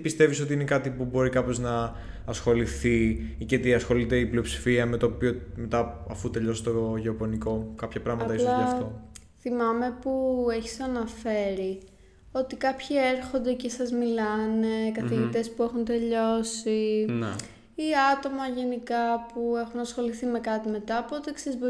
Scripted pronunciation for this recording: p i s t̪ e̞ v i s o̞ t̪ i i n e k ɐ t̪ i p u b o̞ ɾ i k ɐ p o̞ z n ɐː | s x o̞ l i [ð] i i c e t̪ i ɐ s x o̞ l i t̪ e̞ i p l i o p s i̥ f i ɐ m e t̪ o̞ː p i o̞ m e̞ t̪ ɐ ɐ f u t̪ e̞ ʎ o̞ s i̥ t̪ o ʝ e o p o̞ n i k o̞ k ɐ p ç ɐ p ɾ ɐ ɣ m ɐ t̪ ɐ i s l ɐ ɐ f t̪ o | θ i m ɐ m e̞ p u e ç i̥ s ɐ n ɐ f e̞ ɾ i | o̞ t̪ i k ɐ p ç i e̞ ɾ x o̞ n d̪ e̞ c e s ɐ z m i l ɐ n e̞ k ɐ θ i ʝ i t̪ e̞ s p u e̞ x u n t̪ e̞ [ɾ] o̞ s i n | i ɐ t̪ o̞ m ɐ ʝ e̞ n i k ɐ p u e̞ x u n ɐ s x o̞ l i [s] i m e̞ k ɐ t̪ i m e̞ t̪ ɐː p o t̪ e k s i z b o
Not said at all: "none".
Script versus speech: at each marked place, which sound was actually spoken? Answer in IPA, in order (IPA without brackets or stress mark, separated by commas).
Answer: θ, ʎ, θ